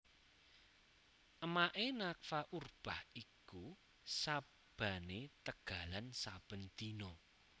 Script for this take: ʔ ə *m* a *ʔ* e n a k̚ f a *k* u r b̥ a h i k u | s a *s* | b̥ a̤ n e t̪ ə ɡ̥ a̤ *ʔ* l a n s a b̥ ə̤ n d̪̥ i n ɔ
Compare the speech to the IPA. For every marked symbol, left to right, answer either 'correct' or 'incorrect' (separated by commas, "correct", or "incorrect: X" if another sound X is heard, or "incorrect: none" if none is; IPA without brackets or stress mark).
correct, correct, incorrect: ʔ, incorrect: none, incorrect: none